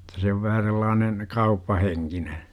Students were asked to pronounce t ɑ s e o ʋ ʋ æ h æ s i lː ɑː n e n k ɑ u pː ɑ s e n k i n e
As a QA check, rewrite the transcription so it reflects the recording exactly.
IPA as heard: t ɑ s e o ʋ ʋ æ h æ s e lː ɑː n e n k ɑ u pː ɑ h e ŋ k i n e